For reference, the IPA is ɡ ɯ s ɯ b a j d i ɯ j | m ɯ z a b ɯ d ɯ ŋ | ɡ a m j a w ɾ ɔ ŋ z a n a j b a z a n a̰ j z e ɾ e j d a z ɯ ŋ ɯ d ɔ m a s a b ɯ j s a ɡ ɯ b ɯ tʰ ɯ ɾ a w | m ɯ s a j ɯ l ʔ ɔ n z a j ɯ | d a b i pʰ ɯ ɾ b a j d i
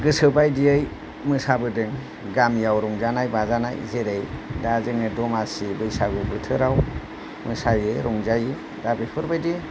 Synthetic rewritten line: ɡ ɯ s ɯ b a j d i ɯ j | m ɯ s a b ɯ d ɯ ŋ | ɡ a m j a w ɾ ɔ ŋ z a n a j b a z a n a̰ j z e ɾ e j d a z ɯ ŋ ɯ d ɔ m a s i b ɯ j s a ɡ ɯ b ɯ tʰ ɯ ɾ a w | m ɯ s a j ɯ ɾ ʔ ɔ ŋ z a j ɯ | d a b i pʰ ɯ ɾ b a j d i